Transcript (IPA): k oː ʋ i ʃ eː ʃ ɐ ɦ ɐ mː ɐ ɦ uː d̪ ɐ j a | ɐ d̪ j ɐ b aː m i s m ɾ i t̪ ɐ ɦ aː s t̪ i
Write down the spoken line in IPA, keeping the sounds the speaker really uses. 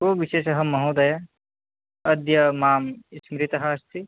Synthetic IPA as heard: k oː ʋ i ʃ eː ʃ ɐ ɦ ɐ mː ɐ ɦ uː d̪ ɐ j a | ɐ d̪ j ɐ m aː m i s m ɾ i t̪ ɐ ɦ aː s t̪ i